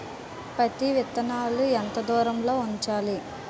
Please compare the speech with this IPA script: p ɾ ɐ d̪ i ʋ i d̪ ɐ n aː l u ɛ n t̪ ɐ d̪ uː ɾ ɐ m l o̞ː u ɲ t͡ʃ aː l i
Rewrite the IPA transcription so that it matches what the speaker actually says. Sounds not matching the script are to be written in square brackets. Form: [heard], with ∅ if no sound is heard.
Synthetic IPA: p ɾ ɐ [t̪] i ʋ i [t̪] ɐ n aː l u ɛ n t̪ ɐ d̪ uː ɾ ɐ m l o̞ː u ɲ t͡ʃ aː l i

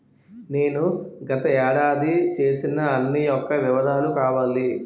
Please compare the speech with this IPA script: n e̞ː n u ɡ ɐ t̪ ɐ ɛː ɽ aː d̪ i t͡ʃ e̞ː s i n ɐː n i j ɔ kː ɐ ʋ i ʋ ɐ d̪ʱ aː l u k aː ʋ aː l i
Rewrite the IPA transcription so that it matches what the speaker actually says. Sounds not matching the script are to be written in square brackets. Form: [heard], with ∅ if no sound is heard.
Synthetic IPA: n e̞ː n u ɡ ɐ t̪ ɐ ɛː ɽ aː d̪ i t͡ʃ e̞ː s i n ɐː [nː] i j ɔ kː ɐ ʋ i ʋ ɐ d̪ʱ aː l u k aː ʋ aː l i

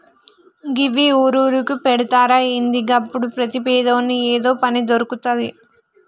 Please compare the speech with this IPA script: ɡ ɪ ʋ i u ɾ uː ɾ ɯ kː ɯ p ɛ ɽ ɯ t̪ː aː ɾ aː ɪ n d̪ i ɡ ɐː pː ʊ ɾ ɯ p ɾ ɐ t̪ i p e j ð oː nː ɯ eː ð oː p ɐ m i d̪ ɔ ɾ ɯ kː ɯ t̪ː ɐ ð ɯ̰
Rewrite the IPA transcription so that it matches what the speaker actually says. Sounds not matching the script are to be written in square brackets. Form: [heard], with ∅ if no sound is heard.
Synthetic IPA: ɡ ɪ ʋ i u ɾ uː ɾ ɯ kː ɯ p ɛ ɽ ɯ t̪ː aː ɾ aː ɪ n d̪ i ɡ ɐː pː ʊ [ɽ] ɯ p ɾ ɐ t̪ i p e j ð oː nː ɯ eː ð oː p ɐ [n] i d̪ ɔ ɾ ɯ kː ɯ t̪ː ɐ ð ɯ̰

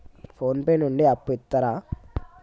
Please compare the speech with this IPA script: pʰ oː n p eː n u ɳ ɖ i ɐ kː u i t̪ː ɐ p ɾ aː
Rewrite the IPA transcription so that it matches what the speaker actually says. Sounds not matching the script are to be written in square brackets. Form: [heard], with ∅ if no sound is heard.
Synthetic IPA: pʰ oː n p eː n u ɳ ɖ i ɐ [pː] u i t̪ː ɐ [∅] ɾ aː

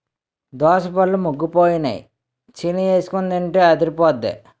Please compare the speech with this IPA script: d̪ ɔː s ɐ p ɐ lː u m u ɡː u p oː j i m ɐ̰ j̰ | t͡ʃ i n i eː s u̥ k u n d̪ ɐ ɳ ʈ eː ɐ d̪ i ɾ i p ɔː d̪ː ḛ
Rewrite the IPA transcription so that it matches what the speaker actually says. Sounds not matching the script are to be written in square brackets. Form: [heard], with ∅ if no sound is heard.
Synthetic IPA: d̪ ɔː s ɐ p ɐ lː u m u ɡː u p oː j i [n] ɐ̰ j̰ | t͡ʃ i n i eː s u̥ k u n d̪ ɐ ɳ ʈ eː ɐ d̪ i ɾ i p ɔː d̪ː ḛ

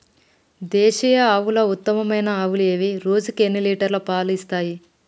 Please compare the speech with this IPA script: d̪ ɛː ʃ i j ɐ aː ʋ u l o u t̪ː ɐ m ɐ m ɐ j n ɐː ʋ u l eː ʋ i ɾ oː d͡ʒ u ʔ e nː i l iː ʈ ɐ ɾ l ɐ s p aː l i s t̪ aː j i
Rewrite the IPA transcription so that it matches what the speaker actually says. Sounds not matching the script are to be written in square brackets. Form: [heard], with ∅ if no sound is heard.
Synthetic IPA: d̪ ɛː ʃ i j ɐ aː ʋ u l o u t̪ː ɐ m ɐ m ɐ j n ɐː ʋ u l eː ʋ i ɾ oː d͡ʒ u [k] e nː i l iː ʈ ɐ ɾ l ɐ [∅] p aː l i s t̪ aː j i

